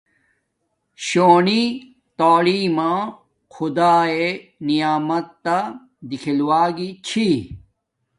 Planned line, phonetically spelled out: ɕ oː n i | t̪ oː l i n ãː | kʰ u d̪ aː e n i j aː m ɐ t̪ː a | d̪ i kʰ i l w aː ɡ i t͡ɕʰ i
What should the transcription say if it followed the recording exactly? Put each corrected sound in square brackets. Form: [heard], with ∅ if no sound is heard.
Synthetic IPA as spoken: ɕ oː n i | t̪ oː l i [m] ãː | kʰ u d̪ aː e n i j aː m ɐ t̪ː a | d̪ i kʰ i l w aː ɡ i t͡ɕʰ i